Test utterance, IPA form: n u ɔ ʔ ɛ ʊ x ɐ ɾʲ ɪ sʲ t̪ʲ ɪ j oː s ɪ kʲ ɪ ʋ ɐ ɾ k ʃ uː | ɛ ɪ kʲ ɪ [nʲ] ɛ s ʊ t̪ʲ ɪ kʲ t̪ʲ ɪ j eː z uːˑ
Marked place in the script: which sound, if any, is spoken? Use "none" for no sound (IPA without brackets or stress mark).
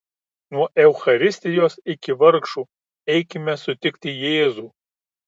mʲ